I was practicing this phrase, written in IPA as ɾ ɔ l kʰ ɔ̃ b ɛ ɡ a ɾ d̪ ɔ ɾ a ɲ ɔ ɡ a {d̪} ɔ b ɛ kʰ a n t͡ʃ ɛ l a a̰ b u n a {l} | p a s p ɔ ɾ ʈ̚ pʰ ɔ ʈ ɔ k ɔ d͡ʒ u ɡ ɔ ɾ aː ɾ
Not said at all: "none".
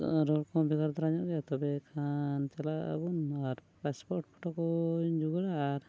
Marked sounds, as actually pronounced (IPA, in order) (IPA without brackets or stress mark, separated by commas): t̪, ɾ